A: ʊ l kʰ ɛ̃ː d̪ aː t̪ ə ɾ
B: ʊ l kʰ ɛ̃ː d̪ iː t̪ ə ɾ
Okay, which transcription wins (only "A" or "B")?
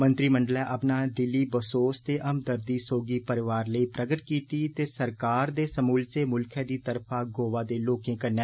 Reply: B